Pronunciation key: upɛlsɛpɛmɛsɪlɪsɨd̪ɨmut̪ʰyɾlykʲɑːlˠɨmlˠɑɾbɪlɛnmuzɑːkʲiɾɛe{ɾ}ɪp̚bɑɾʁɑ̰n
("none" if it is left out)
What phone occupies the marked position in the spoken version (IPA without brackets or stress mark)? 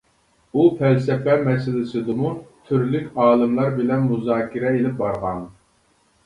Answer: l